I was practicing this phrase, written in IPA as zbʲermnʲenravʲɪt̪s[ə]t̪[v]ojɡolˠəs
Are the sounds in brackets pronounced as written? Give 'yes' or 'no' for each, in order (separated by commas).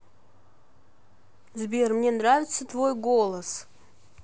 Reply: yes, yes